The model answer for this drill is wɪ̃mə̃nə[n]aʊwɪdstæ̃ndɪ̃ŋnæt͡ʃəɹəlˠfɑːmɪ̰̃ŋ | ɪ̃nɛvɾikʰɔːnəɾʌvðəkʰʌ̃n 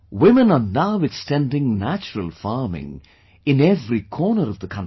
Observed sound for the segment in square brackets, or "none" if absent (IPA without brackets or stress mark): n